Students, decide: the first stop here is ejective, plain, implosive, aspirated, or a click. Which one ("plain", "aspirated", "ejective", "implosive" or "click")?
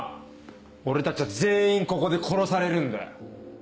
plain